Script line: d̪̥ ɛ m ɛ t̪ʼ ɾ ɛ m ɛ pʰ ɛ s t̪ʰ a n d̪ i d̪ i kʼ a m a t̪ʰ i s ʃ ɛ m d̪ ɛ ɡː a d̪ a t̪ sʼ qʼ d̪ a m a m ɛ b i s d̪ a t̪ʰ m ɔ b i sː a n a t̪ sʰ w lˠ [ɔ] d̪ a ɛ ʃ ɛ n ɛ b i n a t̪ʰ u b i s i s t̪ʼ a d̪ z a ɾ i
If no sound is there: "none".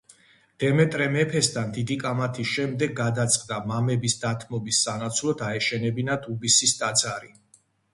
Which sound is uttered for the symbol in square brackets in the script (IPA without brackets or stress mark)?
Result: ɔ